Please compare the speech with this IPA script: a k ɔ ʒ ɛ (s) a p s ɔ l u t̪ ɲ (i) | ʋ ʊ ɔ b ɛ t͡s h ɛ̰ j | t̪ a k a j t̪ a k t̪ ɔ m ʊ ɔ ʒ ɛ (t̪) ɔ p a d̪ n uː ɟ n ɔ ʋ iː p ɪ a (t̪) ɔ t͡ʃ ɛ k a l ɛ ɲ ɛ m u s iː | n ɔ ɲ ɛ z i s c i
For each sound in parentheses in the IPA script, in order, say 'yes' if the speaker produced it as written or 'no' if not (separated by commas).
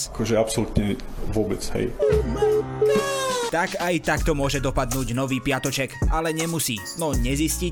no, no, no, yes